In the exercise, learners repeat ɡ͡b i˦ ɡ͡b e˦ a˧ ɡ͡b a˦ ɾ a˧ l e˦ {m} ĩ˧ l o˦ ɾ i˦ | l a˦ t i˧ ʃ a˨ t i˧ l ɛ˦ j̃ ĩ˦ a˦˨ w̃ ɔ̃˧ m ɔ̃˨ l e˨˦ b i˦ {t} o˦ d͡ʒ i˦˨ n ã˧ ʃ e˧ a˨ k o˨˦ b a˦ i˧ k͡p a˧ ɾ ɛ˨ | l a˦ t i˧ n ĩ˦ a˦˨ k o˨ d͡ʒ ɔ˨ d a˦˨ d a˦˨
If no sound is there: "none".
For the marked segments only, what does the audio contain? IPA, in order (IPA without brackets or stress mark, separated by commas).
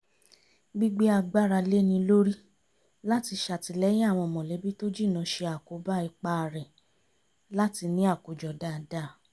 n, t